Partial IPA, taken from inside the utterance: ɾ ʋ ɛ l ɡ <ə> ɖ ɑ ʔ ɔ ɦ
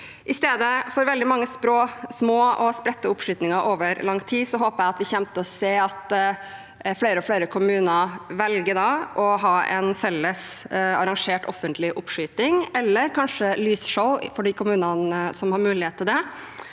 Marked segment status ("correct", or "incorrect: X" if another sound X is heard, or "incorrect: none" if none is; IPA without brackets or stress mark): correct